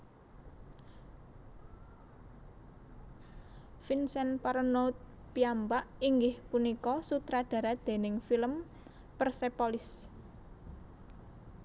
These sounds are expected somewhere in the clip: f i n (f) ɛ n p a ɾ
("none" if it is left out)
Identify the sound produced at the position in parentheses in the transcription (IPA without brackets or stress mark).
s